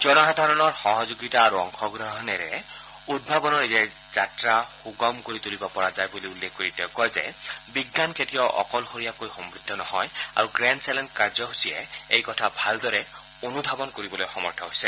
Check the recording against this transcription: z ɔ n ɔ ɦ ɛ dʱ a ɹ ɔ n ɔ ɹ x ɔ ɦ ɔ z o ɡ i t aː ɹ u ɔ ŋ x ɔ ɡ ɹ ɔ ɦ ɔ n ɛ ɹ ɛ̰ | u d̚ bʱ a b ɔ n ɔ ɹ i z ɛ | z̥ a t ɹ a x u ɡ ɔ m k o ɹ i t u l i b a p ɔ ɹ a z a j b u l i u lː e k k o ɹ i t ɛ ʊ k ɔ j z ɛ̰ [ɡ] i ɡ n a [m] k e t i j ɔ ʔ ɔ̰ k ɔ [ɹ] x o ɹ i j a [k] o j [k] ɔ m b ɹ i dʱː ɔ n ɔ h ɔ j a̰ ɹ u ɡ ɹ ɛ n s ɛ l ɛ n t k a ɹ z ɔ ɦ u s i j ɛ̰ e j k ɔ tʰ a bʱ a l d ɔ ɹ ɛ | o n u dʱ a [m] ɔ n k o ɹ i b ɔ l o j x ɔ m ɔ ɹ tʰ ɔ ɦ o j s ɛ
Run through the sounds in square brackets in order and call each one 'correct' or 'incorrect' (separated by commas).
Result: incorrect, incorrect, incorrect, correct, incorrect, incorrect